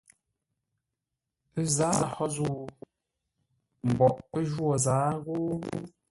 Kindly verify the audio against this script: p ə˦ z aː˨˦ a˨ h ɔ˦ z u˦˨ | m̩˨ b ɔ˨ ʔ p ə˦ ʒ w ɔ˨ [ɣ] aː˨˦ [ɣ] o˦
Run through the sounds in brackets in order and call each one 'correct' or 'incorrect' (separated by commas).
incorrect, correct